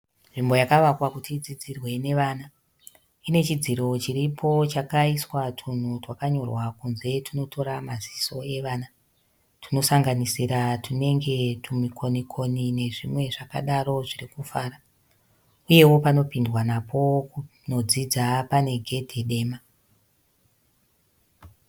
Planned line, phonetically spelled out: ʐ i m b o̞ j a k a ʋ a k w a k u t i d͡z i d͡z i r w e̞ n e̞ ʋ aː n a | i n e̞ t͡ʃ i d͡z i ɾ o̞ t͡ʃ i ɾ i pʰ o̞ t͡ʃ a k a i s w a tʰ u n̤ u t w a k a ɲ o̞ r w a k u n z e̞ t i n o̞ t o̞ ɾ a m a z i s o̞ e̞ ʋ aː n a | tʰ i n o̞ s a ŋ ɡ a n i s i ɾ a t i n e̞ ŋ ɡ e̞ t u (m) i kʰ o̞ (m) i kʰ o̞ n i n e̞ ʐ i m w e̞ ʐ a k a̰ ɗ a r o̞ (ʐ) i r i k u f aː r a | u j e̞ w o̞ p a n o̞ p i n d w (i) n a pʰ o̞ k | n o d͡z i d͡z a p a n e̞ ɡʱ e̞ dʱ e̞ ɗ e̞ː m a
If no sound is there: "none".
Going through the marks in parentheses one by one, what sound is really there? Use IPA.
m, n, ʐ, a

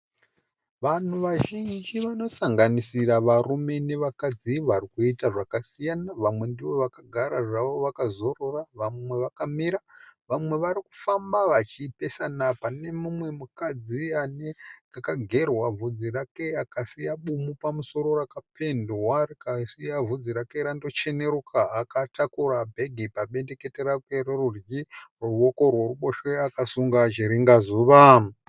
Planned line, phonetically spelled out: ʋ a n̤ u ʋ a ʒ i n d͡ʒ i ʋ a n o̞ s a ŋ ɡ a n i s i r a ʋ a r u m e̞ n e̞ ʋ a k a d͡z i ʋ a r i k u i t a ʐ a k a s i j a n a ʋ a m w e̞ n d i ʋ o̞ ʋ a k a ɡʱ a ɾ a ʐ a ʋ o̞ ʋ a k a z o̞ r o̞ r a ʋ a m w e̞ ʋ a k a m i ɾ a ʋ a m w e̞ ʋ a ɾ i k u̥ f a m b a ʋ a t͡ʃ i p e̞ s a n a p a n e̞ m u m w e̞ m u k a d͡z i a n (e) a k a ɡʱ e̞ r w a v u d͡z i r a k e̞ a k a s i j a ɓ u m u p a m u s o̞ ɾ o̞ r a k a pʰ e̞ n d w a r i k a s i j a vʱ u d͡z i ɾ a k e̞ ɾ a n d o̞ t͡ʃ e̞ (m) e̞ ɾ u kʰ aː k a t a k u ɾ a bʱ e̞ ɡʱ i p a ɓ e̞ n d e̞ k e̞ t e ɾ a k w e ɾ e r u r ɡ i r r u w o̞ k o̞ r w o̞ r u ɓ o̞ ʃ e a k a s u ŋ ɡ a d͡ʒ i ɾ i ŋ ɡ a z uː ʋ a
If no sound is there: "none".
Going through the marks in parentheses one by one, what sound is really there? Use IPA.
e, n

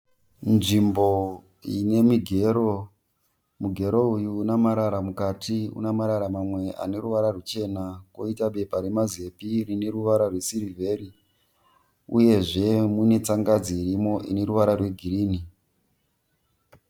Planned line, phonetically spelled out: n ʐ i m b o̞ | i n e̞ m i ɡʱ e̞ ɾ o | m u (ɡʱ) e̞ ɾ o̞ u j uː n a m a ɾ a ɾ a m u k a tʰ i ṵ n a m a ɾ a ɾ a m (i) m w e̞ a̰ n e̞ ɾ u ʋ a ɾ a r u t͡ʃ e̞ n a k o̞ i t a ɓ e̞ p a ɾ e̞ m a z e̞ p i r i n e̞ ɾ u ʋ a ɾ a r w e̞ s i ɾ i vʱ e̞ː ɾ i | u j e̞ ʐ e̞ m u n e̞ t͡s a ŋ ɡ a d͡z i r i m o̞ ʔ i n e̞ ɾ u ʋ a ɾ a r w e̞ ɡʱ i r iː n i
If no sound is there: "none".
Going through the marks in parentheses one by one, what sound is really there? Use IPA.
ɡʱ, a

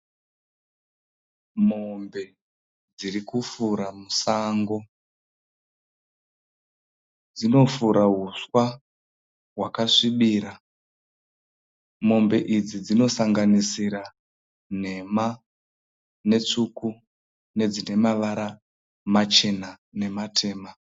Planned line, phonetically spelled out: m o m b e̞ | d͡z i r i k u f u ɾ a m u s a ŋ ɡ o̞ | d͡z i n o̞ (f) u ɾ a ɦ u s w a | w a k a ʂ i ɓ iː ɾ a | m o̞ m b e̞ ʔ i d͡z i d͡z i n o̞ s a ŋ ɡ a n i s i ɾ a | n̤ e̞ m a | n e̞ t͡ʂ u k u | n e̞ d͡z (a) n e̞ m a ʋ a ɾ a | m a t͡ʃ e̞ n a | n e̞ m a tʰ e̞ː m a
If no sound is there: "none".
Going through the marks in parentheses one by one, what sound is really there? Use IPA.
f, i

